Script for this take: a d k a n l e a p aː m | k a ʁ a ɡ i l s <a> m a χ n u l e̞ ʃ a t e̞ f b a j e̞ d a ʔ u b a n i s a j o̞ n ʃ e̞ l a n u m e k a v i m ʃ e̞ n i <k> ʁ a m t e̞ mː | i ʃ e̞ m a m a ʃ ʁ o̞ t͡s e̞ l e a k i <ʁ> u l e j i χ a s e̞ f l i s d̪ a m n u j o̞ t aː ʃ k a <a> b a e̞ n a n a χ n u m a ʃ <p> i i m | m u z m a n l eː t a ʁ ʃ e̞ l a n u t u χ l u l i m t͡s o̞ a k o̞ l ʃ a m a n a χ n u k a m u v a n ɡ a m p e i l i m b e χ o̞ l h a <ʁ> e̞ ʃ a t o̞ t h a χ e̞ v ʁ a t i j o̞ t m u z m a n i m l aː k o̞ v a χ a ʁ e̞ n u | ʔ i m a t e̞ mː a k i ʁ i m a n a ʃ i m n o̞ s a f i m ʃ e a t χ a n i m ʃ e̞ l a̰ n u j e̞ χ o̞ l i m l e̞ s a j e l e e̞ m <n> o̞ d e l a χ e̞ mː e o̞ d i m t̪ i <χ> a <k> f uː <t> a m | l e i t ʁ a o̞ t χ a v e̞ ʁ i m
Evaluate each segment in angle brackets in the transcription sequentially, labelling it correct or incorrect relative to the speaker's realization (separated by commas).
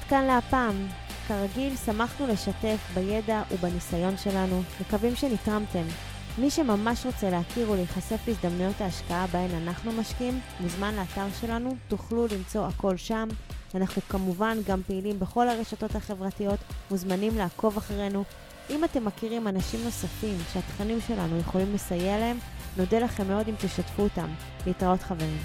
correct, incorrect, correct, correct, incorrect, correct, correct, incorrect, incorrect, correct